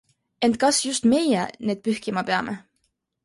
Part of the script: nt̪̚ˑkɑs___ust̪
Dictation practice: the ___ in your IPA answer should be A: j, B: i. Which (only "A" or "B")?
A